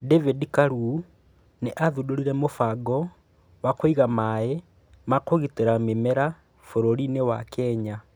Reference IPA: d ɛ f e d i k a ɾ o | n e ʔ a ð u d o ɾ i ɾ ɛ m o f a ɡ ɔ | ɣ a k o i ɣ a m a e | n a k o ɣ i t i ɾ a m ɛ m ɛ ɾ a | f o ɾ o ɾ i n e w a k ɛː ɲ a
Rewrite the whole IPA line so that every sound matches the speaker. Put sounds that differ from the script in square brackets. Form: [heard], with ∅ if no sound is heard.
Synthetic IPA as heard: d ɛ [v] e d i k a ɾ [u] | n e ʔ a ð u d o ɾ i ɾ ɛ m o f a ɡ ɔ | [w] a k o i ɣ a m a e | [m] a k o ɣ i t [e] ɾ a m [e] m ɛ ɾ a | f o ɾ o ɾ i n e w a k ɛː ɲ a